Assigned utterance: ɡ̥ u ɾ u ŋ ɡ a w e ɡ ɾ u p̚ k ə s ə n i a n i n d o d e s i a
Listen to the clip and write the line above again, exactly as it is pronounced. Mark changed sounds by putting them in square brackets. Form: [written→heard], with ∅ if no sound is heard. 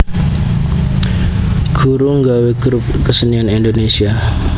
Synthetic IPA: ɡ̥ u ɾ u ŋ ɡ a w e ɡ ɾ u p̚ k ə s ə n i a n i n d o [d→n] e s i a